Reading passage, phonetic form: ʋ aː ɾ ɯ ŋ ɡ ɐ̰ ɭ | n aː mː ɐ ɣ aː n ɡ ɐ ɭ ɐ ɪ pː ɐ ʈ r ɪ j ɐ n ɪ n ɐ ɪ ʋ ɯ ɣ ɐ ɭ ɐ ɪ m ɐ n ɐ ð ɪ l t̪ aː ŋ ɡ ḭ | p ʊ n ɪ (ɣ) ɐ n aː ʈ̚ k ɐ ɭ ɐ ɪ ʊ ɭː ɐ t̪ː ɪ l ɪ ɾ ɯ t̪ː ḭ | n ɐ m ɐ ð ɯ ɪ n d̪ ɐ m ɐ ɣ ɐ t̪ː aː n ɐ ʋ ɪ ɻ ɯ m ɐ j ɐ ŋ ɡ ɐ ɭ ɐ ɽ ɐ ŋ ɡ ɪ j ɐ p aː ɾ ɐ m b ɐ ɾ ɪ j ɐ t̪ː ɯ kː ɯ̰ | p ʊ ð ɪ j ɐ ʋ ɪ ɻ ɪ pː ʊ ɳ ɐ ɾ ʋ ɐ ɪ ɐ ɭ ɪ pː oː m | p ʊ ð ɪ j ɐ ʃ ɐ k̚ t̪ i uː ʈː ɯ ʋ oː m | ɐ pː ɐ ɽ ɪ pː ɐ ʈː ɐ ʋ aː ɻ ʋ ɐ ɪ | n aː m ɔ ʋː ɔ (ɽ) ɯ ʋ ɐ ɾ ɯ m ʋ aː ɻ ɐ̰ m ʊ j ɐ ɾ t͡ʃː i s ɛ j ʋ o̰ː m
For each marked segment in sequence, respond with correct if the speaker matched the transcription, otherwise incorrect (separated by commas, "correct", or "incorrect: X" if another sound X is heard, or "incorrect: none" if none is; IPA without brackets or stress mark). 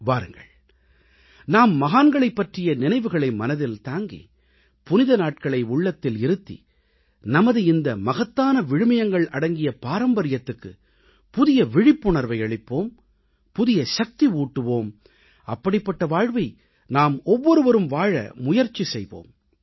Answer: incorrect: ð, incorrect: ɾ